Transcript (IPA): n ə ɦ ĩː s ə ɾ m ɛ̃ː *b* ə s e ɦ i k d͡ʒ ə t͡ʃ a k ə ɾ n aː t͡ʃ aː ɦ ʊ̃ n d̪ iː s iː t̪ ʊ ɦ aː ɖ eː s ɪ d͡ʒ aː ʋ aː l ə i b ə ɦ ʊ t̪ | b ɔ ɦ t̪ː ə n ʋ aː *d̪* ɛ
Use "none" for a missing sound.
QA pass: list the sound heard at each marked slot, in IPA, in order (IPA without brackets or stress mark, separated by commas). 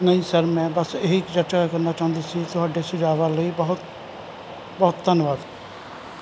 b, d̪